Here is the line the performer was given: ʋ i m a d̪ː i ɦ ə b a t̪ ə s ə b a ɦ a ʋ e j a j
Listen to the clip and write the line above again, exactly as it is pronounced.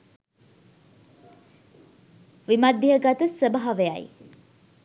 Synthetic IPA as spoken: ʋ i m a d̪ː i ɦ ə ɡ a t̪ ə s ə b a ɦ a ʋ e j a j